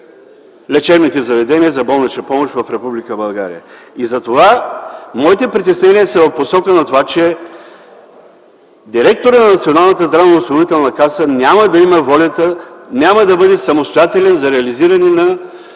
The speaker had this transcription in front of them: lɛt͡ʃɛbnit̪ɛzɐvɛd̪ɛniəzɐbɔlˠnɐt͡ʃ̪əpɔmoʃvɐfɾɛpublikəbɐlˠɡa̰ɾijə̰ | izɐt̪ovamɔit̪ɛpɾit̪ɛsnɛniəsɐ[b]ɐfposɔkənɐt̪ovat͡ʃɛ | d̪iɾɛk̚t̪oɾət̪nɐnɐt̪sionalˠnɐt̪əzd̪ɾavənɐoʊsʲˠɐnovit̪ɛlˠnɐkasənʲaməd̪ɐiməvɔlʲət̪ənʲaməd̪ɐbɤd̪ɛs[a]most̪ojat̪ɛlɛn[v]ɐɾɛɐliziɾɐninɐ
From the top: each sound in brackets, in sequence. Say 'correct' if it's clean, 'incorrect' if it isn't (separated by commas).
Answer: incorrect, incorrect, incorrect